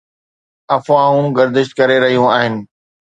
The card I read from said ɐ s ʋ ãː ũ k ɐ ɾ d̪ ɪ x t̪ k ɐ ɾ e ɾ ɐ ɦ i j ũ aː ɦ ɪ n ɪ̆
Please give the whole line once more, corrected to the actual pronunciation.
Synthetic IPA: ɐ f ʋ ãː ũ ɡ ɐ ɾ d̪ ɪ ʃ t̪ k ɐ ɾ e ɾ ɐ ɦ i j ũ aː ɦ ɪ n ɪ̆